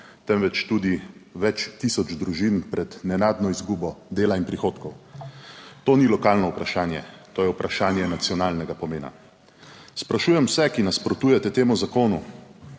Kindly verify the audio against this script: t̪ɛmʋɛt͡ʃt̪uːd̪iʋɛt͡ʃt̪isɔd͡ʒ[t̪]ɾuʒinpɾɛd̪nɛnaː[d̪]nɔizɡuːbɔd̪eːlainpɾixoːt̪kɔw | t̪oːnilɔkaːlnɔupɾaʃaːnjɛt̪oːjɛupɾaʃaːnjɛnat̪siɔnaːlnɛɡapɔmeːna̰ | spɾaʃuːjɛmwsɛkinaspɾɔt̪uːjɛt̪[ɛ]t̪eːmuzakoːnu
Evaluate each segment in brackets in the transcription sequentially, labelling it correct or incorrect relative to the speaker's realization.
incorrect, correct, correct

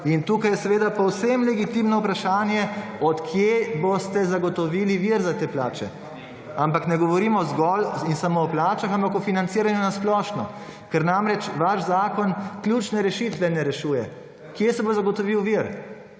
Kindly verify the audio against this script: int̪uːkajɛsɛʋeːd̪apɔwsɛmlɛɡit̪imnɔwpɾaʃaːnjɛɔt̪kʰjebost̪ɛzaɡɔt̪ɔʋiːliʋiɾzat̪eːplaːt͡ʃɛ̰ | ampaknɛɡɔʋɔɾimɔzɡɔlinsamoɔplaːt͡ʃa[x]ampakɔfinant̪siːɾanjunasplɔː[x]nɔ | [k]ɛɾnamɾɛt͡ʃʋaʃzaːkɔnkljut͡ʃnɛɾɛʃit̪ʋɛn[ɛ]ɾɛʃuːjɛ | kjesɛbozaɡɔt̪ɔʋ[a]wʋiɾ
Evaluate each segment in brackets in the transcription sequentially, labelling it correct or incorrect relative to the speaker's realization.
correct, incorrect, correct, correct, incorrect

